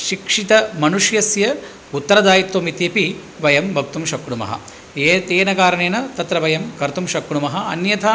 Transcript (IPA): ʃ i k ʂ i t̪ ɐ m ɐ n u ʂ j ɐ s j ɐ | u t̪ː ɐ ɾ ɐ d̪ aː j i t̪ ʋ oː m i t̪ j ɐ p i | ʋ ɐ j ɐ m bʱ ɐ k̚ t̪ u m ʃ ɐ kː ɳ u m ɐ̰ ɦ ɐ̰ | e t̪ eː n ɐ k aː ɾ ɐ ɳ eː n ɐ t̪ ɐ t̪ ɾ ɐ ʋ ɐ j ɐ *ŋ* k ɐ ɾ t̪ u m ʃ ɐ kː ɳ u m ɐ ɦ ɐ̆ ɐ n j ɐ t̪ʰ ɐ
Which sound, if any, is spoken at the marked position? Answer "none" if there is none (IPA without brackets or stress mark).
m